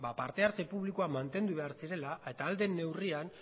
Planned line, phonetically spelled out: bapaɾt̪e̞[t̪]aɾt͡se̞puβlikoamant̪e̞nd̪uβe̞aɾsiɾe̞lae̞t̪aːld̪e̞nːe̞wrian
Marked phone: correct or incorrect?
incorrect